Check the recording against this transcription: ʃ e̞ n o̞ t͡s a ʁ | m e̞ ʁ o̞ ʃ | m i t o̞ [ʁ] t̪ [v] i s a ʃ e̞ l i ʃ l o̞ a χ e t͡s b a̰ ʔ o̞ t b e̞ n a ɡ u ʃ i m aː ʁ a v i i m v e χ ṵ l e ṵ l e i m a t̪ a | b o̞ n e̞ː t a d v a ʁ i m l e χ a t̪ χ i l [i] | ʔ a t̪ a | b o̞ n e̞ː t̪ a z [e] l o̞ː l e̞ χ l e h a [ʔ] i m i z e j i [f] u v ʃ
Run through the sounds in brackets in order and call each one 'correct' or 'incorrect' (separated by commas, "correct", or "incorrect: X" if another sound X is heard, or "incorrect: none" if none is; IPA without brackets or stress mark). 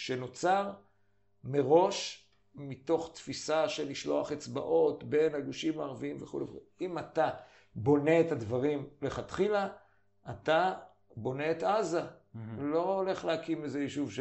incorrect: χ, incorrect: f, incorrect: a, incorrect: a, incorrect: k, incorrect: ʃ